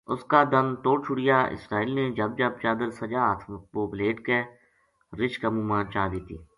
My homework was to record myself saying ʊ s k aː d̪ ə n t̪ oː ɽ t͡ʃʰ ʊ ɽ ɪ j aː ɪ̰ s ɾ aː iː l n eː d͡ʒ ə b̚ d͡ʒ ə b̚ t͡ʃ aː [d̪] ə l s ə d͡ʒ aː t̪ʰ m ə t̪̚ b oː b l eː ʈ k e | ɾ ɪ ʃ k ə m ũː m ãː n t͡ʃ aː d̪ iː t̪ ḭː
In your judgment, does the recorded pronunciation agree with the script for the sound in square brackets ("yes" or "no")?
yes